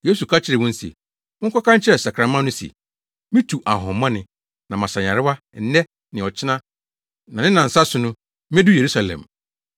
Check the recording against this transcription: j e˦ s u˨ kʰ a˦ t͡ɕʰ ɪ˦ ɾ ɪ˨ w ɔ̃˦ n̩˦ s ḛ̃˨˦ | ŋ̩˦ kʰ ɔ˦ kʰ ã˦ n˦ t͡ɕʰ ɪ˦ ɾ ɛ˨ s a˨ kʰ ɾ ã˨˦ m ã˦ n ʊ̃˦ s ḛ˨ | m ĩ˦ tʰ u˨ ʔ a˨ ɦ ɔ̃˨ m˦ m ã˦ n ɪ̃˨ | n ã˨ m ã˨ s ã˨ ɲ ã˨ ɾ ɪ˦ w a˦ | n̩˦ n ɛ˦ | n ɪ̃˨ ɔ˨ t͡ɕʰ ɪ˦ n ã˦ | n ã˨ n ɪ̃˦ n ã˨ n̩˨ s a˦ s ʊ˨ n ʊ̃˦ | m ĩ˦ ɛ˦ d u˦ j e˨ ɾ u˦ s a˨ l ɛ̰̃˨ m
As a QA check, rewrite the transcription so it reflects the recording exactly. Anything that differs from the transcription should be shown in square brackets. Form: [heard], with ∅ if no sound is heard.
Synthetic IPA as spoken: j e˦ s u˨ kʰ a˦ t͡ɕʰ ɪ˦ ɾ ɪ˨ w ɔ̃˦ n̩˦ s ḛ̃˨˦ | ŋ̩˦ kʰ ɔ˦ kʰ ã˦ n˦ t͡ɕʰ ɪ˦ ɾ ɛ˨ s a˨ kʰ ɾ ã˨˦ m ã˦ n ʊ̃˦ s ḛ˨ | m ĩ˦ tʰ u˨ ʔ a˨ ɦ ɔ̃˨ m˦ m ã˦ n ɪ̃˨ | n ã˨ m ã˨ s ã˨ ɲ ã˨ ɾ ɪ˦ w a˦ | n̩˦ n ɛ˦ | n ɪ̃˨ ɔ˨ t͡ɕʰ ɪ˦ n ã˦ | n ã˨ n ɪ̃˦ n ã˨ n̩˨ s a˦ s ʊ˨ n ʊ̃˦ | m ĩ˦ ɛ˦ d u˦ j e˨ ɾ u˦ s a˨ l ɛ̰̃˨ m

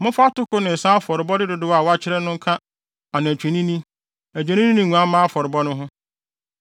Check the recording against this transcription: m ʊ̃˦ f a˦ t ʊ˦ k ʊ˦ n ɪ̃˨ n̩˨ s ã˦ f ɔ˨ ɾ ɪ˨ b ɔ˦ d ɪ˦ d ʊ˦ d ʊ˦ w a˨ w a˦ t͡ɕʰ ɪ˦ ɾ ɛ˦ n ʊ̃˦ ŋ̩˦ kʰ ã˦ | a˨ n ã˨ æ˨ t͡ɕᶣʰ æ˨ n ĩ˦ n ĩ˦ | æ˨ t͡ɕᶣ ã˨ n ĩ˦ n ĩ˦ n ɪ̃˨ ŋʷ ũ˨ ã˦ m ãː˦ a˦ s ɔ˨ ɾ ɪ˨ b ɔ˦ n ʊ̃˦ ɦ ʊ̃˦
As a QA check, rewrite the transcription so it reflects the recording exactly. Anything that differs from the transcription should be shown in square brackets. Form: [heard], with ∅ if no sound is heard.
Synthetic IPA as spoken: m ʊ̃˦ f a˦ t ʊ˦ k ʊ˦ n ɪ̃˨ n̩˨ s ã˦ f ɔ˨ ɾ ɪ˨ b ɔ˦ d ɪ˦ d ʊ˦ d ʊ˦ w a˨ w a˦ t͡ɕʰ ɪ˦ ɾ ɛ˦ n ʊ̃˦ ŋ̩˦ kʰ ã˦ | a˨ n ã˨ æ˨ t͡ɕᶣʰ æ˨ n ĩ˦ n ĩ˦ | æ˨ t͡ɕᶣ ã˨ n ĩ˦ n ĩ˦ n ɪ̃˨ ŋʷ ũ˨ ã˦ m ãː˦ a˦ [f] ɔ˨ ɾ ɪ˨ b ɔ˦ n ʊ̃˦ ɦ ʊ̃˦

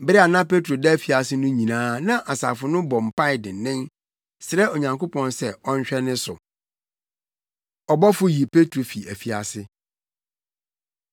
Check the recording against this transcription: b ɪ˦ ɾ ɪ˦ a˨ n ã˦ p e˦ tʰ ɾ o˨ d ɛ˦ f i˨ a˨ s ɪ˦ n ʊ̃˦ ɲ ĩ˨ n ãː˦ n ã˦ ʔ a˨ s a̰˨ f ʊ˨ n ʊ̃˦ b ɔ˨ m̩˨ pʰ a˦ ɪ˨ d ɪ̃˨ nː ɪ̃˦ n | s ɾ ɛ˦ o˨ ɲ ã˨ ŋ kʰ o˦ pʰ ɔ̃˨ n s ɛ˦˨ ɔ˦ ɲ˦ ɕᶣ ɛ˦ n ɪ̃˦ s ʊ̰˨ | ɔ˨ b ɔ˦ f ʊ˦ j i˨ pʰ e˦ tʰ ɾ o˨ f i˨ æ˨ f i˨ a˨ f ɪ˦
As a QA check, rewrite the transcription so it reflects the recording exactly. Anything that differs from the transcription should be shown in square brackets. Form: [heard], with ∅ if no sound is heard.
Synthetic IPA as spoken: b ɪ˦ ɾ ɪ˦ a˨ n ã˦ p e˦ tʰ ɾ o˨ d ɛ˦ f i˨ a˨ s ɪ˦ n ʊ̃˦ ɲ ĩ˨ n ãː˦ n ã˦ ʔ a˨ s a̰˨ f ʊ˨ n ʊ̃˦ b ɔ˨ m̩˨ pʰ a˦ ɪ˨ d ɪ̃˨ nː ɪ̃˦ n | s ɾ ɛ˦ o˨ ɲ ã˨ ŋ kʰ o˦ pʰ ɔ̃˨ n s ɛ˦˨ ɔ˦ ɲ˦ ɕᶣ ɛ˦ n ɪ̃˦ s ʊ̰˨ | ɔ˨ b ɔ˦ f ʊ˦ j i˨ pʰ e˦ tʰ ɾ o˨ f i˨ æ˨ f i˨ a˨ [s] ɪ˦

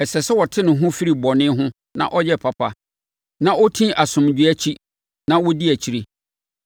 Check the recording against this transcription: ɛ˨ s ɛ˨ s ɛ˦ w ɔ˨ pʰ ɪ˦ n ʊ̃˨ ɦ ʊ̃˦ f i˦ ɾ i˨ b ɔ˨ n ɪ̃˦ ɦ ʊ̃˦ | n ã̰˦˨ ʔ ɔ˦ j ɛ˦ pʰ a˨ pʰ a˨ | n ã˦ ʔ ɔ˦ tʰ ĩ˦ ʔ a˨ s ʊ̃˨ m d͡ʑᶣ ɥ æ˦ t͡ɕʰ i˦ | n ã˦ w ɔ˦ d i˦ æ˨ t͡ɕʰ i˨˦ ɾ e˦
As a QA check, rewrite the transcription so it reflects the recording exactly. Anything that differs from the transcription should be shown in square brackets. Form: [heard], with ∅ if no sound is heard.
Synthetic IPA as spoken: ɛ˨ s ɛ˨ s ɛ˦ w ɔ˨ [tʰ] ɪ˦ n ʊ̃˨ ɦ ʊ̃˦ f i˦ ɾ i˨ b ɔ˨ n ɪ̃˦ ɦ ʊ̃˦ | n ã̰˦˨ ʔ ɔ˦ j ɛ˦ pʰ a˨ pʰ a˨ | n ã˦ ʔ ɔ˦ tʰ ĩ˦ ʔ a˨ s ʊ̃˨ m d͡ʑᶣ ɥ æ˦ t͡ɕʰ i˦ | n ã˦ w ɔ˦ d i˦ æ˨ t͡ɕʰ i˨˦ ɾ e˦

